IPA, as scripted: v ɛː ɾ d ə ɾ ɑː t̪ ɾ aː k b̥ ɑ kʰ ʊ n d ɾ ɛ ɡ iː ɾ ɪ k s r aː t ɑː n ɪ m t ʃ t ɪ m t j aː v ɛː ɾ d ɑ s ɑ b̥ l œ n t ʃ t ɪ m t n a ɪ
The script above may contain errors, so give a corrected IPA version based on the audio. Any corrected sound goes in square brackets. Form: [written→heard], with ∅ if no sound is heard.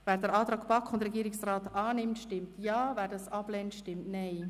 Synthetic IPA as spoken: v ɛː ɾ d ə ɾ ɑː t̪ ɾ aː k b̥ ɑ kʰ ʊ n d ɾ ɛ ɡ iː ɾ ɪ k s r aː t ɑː n ɪ m t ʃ t ɪ m t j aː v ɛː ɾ d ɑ s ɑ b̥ l [œ→ɛ] n t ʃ t ɪ m t n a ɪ